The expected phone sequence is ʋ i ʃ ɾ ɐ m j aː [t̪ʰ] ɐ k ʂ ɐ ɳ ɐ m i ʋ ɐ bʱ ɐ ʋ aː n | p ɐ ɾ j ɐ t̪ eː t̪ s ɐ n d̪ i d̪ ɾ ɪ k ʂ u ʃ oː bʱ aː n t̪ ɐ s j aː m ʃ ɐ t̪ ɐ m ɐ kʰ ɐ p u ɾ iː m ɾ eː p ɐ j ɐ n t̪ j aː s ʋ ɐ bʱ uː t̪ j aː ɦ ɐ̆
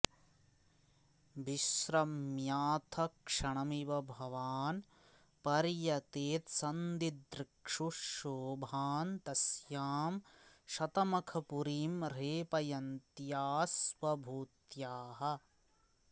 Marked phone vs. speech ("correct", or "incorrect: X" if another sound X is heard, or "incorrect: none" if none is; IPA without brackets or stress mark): correct